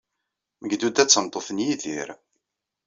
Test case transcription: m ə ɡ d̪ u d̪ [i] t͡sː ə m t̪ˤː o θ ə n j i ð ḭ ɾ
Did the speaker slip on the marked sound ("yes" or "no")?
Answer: yes